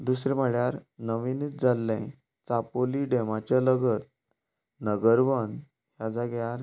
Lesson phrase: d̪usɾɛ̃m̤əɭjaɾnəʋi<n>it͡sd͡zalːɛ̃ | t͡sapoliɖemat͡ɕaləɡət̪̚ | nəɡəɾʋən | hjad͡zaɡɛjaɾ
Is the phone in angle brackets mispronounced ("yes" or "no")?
no